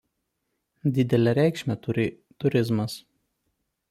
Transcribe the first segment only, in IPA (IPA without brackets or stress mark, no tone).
d̪ʲ